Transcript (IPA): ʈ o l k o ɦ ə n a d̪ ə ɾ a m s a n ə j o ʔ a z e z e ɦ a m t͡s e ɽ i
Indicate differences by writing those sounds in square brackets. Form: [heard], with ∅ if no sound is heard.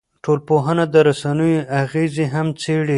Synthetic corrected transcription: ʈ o l [p] o ɦ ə n a d̪ ə ɾ a [∅] s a n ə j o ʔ a [ɣ] e z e ɦ a m t͡s e ɽ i